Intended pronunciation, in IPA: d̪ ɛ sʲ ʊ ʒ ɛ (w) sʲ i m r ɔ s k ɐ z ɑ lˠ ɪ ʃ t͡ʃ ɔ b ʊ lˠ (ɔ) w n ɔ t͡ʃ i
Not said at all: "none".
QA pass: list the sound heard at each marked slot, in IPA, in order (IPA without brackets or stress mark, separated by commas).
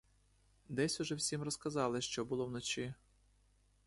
w, ɔ